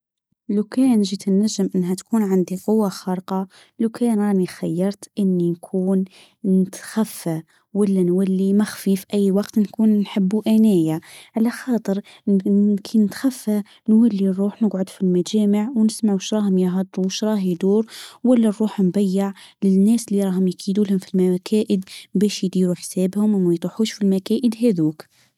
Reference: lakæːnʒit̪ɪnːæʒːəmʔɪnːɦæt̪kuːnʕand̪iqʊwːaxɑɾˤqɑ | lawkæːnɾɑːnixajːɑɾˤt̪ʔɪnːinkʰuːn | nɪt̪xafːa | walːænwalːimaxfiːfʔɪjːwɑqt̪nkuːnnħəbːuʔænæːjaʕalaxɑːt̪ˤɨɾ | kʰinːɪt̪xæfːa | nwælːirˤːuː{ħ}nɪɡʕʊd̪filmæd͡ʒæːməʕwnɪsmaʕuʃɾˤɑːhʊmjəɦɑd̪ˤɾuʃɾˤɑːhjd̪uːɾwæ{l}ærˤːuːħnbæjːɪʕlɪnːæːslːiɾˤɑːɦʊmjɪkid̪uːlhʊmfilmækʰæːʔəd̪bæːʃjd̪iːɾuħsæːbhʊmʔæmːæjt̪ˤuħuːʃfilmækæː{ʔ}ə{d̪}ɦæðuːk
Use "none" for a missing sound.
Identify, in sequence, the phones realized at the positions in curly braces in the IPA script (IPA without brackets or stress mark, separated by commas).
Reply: ħ, lː, ʔ, d̪